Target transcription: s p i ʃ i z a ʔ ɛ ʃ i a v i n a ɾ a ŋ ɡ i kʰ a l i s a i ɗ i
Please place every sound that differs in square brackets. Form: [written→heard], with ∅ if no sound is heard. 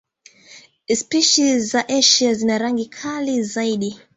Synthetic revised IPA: s p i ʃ i z a ʔ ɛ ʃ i a [v→z] i n a ɾ a ŋ ɡ i kʰ a l i [s→z] a i ɗ i